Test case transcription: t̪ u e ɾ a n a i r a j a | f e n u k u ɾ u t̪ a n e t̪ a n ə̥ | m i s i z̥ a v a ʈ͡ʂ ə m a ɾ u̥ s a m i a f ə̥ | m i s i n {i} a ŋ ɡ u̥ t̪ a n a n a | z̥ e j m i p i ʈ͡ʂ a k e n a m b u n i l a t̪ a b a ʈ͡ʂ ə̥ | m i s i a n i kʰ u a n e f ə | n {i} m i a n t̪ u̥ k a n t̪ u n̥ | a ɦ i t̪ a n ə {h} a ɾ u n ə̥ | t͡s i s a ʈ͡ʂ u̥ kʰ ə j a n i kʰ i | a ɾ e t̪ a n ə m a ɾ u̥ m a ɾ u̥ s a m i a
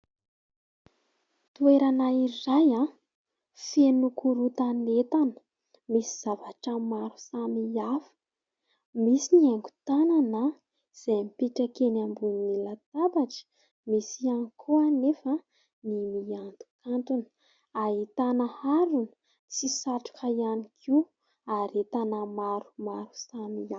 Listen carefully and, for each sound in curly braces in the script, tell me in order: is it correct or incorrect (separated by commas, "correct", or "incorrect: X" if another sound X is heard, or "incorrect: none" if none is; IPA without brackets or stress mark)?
correct, correct, correct